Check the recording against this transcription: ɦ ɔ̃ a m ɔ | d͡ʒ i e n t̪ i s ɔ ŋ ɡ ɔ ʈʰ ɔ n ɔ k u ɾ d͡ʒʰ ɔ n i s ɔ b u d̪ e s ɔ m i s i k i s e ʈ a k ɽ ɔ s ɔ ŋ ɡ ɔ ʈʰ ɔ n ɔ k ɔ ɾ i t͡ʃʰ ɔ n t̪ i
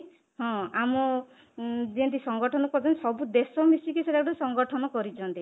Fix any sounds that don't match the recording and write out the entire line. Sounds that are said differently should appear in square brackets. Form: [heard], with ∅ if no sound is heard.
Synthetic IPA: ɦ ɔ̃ a m ɔ | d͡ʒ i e n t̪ i s ɔ ŋ ɡ ɔ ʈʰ ɔ n ɔ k [ɔ] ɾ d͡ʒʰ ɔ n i s ɔ b u d̪ e s ɔ m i s i k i s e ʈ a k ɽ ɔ s ɔ ŋ ɡ ɔ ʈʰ ɔ n ɔ k ɔ ɾ i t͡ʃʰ ɔ n t̪ i